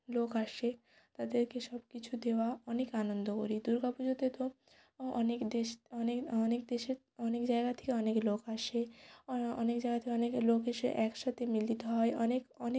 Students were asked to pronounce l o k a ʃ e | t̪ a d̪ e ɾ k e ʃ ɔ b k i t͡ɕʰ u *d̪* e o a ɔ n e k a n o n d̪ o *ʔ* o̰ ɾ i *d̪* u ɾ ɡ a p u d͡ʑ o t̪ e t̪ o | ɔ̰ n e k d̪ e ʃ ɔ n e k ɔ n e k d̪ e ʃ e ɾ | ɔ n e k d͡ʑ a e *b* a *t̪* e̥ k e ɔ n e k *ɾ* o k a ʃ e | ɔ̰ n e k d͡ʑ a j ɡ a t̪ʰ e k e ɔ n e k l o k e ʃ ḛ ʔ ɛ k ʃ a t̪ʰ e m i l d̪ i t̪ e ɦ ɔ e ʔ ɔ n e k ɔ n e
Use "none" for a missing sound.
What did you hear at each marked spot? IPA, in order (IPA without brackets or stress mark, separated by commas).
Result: d̪, k, d̪, ɡ, t̪ʰ, l